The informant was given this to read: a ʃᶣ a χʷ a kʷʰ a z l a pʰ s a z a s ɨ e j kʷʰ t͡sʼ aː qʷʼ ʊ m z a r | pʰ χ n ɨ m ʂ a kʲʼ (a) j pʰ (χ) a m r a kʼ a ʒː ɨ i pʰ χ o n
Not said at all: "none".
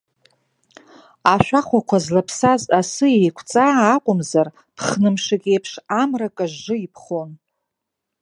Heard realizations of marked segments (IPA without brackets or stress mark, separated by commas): e, ʂ